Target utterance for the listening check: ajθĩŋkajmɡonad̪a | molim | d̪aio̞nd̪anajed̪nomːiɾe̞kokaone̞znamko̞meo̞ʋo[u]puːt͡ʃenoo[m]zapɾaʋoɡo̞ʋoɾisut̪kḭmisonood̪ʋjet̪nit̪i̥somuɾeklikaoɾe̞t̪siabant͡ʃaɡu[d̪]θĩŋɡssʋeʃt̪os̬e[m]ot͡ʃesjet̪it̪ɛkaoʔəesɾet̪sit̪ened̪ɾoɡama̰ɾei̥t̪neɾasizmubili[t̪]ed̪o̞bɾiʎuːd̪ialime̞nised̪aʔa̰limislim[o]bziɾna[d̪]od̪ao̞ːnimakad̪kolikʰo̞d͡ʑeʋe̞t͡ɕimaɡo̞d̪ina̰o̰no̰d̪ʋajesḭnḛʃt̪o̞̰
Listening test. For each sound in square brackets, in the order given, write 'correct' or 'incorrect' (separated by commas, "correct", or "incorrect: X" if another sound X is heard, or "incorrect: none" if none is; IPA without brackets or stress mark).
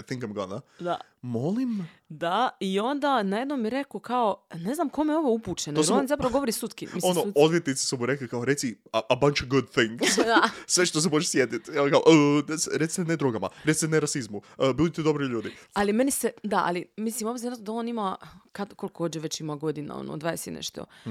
correct, incorrect: n, correct, correct, correct, correct, incorrect: t̪